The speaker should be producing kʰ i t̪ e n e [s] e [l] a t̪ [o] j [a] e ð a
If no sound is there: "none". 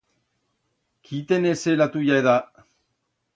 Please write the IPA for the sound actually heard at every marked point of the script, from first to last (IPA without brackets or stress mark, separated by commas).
s, l, u, a